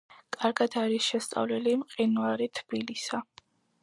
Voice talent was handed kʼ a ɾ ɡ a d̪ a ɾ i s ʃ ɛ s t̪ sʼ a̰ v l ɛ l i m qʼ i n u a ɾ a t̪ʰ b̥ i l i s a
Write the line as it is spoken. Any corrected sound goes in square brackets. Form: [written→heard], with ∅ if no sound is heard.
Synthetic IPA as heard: kʼ a ɾ ɡ a d̪ a ɾ i s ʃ ɛ s t̪ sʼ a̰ v l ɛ l i m qʼ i n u a ɾ [a→i] t̪ʰ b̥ i l i s a